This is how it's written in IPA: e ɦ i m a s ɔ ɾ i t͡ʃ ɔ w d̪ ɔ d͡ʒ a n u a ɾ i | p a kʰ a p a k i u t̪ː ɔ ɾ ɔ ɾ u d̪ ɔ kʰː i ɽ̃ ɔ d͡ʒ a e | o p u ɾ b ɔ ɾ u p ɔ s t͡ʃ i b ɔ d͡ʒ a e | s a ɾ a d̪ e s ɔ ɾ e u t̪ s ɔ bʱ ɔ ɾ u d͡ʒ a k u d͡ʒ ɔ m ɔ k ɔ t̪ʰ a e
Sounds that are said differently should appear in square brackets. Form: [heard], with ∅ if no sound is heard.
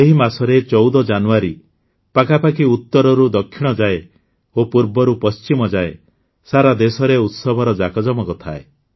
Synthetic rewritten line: e ɦ i m a s ɔ ɾ [e] t͡ʃ ɔ w d̪ ɔ d͡ʒ a n u a ɾ i | p a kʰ a p a k i u t̪ː ɔ ɾ ɔ ɾ u d̪ ɔ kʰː i ɽ̃ ɔ d͡ʒ a e | o p u ɾ b ɔ ɾ u p ɔ s t͡ʃ i [m] ɔ d͡ʒ a e | s a ɾ a d̪ e s ɔ ɾ e u t̪ s ɔ bʱ ɔ ɾ [ɔ] d͡ʒ a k [ɔ] d͡ʒ ɔ m ɔ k ɔ t̪ʰ a e

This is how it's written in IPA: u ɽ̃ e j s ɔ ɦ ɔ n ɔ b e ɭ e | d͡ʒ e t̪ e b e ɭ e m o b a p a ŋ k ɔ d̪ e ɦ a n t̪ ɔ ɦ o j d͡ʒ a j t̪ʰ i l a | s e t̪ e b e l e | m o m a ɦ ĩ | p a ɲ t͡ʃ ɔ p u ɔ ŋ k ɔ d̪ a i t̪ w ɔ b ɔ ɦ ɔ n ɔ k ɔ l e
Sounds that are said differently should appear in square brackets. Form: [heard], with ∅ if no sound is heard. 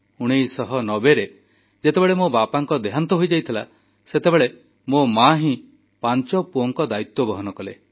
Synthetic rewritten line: u ɽ̃ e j s ɔ ɦ ɔ n ɔ b e [ɾ] e | d͡ʒ e t̪ e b e ɭ e m o b a p a ŋ k ɔ d̪ e ɦ a n t̪ ɔ ɦ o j d͡ʒ a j t̪ʰ i l a | s e t̪ e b e [ɭ] e | m o m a ɦ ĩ | p a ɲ t͡ʃ ɔ p u ɔ ŋ k ɔ d̪ a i t̪ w ɔ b ɔ ɦ ɔ n ɔ k ɔ l e

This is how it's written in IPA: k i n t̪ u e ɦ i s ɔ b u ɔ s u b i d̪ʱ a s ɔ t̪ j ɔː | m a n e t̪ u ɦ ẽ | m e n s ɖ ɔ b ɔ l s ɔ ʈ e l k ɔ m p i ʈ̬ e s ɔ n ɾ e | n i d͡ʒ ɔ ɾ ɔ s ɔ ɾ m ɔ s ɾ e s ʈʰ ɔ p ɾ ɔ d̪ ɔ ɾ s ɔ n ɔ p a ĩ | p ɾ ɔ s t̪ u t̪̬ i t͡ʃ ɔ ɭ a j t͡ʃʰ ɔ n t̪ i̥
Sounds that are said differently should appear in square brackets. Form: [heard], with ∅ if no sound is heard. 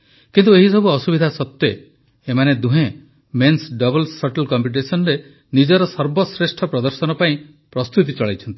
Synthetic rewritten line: k i n t̪ u e ɦ i s ɔ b u ɔ s u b i d̪ʱ a s ɔ t̪ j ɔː | m a n e [d̪] u ɦ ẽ | m e n s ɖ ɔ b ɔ l s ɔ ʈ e l k ɔ m p i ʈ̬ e s ɔ n ɾ e | n i d͡ʒ ɔ ɾ ɔ s ɔ ɾ [b] ɔ s ɾ e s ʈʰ ɔ p ɾ ɔ d̪ ɔ ɾ s ɔ n ɔ p a ĩ | p ɾ ɔ s t̪ u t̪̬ i t͡ʃ ɔ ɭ a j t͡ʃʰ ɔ n t̪ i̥

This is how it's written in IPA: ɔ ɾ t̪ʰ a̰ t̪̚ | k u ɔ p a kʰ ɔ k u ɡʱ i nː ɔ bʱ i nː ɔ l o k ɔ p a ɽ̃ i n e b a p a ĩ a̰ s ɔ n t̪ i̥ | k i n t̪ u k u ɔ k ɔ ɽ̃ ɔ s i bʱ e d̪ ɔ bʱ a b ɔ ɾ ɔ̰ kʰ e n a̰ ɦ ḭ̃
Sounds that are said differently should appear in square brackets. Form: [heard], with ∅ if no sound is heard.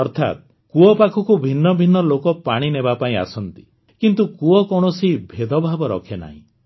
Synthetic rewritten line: ɔ ɾ t̪ʰ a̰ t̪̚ | k u ɔ p a kʰ ɔ k u [bʱ] i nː ɔ bʱ i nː ɔ l o k ɔ p a ɽ̃ i n e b a p a ĩ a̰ s ɔ n t̪ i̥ | k i n t̪ u k u ɔ k ɔ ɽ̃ ɔ s i bʱ e d̪ ɔ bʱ a b ɔ ɾ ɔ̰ kʰ e n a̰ ɦ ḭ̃

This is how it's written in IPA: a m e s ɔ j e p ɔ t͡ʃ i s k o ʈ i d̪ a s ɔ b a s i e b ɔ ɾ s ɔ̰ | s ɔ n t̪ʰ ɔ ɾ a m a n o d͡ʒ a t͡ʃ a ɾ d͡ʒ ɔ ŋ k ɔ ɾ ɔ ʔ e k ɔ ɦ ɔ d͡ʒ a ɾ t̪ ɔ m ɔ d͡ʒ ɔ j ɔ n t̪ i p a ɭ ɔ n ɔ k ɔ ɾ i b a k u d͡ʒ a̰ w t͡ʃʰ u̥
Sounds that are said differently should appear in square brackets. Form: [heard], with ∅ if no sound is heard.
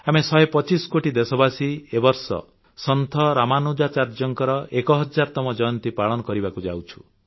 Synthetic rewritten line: a m e s ɔ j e p ɔ t͡ʃ i s k o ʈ i d̪ [e] s ɔ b a s i e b ɔ ɾ s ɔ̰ | s ɔ n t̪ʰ ɔ ɾ a m a n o d͡ʒ a t͡ʃ a ɾ d͡ʒ ɔ ŋ k ɔ ɾ ɔ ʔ e k ɔ ɦ ɔ d͡ʒ a ɾ t̪ ɔ m ɔ d͡ʒ ɔ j ɔ n t̪ i p a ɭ ɔ n ɔ k ɔ ɾ i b a k u d͡ʒ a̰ w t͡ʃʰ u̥

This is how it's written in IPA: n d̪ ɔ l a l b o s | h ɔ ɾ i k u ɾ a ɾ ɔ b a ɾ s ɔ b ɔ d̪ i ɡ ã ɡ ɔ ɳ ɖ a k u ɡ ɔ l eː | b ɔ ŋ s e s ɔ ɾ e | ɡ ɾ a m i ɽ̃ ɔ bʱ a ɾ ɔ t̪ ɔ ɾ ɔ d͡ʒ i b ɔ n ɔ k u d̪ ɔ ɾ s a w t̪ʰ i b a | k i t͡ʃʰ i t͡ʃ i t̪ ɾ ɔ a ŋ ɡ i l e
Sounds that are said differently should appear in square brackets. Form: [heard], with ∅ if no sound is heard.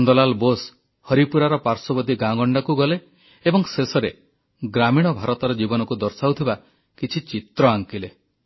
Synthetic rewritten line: n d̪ ɔ l a l b o s | h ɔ ɾ i [p] u ɾ a ɾ ɔ [p] a ɾ s ɔ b ɔ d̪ i ɡ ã ɡ ɔ ɳ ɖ a k u ɡ ɔ l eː | b ɔ ŋ s e s ɔ ɾ e | ɡ ɾ a m i ɽ̃ ɔ bʱ a ɾ ɔ t̪ ɔ ɾ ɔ d͡ʒ i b ɔ n ɔ k u d̪ ɔ ɾ s a w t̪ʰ i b a | k i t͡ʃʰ i t͡ʃ i t̪ ɾ ɔ a ŋ [k] i l e

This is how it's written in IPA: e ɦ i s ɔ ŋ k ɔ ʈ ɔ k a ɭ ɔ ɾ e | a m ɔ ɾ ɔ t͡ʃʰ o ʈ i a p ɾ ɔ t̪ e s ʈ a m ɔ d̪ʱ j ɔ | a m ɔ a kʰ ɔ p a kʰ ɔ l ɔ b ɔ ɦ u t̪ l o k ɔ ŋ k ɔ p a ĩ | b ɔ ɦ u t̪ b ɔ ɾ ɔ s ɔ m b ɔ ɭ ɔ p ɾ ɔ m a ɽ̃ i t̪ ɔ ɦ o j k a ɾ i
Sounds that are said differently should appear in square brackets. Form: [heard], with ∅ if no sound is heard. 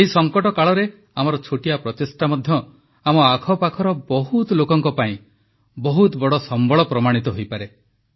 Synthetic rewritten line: e ɦ i s ɔ ŋ k ɔ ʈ ɔ k a ɭ ɔ ɾ e | a m ɔ ɾ ɔ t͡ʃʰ o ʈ i a p ɾ ɔ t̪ e s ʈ a m ɔ d̪ʱ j ɔ | a m ɔ a kʰ ɔ p a kʰ ɔ [ɾ] ɔ b ɔ ɦ u t̪ l o k ɔ ŋ k ɔ p a ĩ | b ɔ ɦ u t̪ b ɔ [ɽ] ɔ s ɔ m b ɔ ɭ ɔ p ɾ ɔ m a ɽ̃ i t̪ ɔ ɦ o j [p] a ɾ [e]

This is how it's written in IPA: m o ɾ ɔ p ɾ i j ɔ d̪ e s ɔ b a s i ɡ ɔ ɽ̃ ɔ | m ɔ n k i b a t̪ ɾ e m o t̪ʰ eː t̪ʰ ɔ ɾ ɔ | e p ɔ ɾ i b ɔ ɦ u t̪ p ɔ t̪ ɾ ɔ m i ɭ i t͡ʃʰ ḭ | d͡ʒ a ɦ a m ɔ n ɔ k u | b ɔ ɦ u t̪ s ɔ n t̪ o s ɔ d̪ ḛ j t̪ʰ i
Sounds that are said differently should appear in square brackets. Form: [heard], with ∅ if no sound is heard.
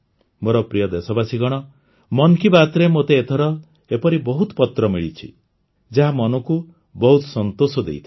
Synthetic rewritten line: m o ɾ ɔ p ɾ i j ɔ d̪ e s ɔ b a s i ɡ ɔ ɽ̃ ɔ | m ɔ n k i b a t̪ ɾ e m o [t̪] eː t̪ʰ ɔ ɾ ɔ | e p ɔ ɾ i b ɔ ɦ u t̪ p ɔ t̪ ɾ ɔ m i ɭ i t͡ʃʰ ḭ | d͡ʒ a ɦ a m ɔ n ɔ k u | b ɔ ɦ u t̪ s ɔ n t̪ o s ɔ d̪ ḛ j t̪ʰ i

